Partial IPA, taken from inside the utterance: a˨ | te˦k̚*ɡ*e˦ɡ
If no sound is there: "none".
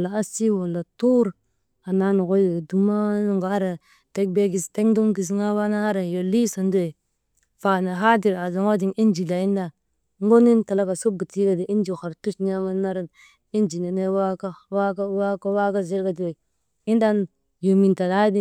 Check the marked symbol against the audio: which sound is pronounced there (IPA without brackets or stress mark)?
b